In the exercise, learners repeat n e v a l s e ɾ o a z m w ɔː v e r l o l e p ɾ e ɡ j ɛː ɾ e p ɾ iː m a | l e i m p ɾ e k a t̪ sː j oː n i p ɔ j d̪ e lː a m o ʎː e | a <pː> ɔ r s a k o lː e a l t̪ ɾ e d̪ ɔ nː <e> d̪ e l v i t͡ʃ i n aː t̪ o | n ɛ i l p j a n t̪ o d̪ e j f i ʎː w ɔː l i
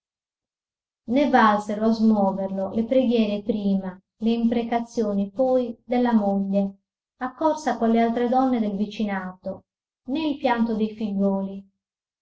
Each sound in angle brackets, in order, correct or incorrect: incorrect: kː, correct

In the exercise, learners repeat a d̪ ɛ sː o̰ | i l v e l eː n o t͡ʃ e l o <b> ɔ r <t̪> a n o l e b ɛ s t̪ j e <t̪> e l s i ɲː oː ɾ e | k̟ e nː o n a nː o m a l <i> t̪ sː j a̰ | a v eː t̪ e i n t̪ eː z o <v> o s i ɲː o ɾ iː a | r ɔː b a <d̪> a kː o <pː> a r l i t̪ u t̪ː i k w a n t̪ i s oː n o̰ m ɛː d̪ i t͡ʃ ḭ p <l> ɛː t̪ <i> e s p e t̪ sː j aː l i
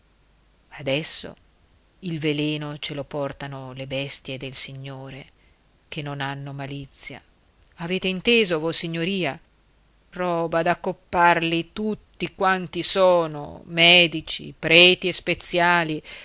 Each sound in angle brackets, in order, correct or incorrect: incorrect: p, correct, incorrect: d̪, correct, correct, correct, correct, incorrect: ɾ, correct

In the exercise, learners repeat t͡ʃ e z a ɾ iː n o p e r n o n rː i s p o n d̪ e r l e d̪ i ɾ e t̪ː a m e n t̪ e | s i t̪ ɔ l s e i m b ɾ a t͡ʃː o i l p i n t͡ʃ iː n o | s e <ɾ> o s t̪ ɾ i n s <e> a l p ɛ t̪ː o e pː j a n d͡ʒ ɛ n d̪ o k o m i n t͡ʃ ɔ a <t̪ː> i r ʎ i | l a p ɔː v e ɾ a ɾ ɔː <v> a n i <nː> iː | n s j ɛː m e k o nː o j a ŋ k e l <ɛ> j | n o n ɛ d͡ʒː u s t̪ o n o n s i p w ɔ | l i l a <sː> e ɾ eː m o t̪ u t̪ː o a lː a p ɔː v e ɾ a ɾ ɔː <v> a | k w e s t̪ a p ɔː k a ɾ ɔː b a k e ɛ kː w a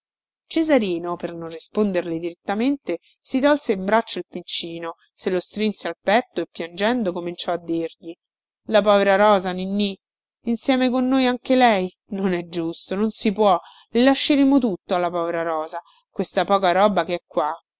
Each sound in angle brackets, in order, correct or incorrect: incorrect: l, correct, incorrect: d̪ː, incorrect: z, correct, correct, incorrect: ʃː, incorrect: z

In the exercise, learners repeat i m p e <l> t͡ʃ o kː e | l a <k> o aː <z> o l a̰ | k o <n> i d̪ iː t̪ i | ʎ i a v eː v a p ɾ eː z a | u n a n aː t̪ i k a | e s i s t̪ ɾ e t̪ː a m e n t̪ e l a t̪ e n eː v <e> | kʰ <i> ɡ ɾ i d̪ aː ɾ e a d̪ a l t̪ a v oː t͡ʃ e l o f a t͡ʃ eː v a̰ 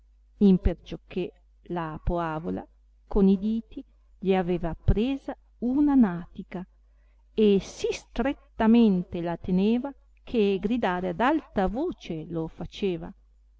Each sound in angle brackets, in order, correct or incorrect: incorrect: r, incorrect: p, incorrect: v, correct, incorrect: a, incorrect: e

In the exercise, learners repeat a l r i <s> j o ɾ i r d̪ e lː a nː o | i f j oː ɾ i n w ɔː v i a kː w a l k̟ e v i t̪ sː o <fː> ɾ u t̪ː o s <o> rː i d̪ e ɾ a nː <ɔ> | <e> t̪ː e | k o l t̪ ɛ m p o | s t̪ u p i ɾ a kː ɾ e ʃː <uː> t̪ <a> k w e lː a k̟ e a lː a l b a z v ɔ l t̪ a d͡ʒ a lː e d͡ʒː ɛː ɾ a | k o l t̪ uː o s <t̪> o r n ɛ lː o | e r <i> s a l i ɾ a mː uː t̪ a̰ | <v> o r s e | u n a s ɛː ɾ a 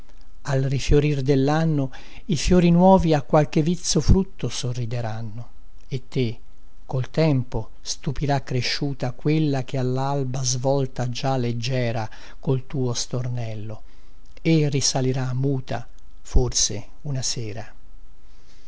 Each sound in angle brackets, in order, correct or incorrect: incorrect: f, incorrect: f, correct, incorrect: o, correct, correct, correct, correct, correct, incorrect: f

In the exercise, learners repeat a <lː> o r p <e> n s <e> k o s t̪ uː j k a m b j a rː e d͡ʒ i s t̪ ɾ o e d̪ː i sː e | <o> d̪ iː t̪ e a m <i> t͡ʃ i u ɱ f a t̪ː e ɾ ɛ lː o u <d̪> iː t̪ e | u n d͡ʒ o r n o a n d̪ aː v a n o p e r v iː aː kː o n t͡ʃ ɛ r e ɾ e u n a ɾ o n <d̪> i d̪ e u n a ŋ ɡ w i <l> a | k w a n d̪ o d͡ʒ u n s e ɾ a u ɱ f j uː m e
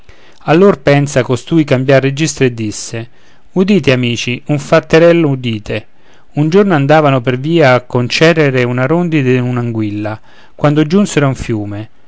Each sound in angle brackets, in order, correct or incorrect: correct, incorrect: ɛ, incorrect: a, incorrect: u, incorrect: iː, correct, correct, incorrect: lː

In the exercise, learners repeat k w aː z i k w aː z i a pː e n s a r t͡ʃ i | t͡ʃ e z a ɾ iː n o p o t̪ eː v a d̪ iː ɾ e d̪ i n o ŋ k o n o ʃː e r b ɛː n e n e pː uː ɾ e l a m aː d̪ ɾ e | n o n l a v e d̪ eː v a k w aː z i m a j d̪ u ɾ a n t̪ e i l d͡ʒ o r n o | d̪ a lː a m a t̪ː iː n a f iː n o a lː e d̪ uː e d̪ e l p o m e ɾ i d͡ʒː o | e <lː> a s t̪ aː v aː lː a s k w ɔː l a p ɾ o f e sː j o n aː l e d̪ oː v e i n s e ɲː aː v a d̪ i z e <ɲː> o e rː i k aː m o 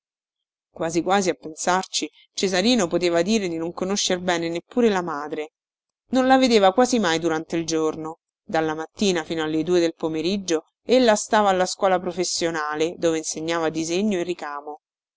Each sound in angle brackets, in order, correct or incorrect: correct, correct

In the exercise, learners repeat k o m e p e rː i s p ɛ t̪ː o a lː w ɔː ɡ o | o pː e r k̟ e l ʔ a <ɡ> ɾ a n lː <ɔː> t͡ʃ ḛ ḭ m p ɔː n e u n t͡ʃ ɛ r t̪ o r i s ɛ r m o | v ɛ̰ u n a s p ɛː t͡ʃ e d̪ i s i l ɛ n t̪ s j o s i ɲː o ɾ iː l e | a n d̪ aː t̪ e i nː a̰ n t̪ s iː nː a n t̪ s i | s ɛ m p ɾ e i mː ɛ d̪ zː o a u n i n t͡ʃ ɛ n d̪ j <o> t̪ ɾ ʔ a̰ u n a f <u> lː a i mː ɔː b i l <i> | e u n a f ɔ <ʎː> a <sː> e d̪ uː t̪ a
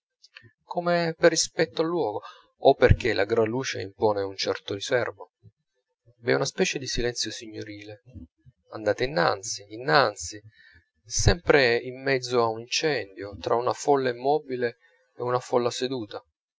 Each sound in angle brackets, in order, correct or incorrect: correct, incorrect: uː, correct, incorrect: ɔ, incorrect: e, incorrect: lː, incorrect: s

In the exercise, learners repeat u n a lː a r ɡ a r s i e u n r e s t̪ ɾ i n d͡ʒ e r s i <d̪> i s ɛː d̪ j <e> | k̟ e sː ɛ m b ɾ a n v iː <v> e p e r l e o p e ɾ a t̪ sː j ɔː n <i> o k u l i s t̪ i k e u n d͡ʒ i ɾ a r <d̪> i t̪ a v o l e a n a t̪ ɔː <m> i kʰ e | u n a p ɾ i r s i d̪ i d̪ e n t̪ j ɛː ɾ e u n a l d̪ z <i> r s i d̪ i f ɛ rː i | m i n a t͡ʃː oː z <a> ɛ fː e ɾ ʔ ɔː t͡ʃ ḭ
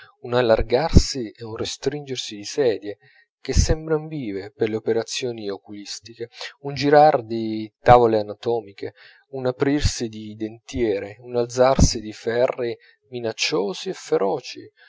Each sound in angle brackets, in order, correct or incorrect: correct, correct, correct, correct, correct, correct, incorrect: a, incorrect: i

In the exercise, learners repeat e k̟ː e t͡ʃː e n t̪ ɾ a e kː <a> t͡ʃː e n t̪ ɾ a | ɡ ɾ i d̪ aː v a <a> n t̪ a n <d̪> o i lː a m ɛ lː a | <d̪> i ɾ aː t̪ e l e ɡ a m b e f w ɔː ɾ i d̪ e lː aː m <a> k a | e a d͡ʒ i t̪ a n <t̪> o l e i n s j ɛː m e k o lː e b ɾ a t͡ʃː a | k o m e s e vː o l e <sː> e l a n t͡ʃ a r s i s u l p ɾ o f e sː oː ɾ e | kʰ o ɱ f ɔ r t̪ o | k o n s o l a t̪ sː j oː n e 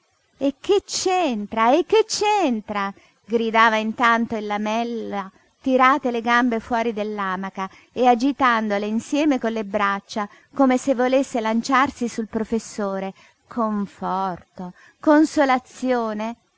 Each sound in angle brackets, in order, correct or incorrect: incorrect: e, incorrect: i, incorrect: t̪, incorrect: t̪, correct, incorrect: d̪, correct

